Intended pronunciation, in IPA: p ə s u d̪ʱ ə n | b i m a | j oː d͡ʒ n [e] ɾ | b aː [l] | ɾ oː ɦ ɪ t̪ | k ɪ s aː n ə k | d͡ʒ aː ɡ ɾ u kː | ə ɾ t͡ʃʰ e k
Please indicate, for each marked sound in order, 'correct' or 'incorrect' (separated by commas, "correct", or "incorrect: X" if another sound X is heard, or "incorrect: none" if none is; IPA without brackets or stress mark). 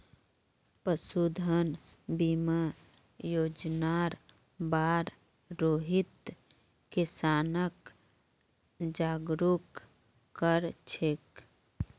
incorrect: a, incorrect: ɾ